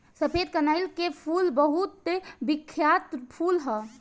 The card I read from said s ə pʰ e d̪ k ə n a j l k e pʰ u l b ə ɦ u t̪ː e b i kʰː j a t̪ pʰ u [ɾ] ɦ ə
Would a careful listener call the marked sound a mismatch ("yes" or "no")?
yes